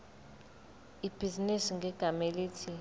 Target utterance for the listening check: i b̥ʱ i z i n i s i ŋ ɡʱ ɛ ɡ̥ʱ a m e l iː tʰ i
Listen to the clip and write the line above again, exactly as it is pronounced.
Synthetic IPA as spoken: i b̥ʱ i z i n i s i ŋ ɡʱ ɛ ɡ̥ʱ a m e l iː tʰ i